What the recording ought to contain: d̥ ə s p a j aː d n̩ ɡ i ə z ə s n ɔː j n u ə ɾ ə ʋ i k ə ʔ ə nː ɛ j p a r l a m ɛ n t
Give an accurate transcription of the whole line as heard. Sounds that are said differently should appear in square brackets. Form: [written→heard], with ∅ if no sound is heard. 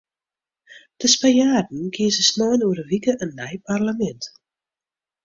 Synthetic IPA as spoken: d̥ ə s p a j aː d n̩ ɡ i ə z ə s n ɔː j n u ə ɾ ə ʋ i k ə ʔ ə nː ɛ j p a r l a m ɛ n t